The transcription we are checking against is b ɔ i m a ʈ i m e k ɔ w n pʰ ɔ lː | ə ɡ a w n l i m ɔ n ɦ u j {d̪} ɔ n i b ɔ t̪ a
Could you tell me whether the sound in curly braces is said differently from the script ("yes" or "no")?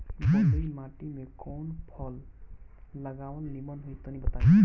yes